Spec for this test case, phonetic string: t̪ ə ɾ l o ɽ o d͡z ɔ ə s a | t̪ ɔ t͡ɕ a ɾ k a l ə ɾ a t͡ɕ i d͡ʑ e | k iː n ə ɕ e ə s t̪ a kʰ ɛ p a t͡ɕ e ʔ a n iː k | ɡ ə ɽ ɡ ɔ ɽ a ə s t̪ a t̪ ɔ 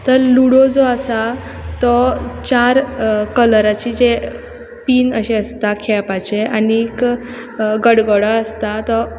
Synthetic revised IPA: t̪ ə ɾ l u ɽ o d͡z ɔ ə s a | t̪ ɔ t͡ɕ a ɾ k ə l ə ɾ a t͡ɕ i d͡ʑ e | p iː n ə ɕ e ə s t̪ a kʰ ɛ p a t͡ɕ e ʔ a n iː k | ɡ ə ɽ ɡ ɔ ɽ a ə s t̪ a t̪ ɔ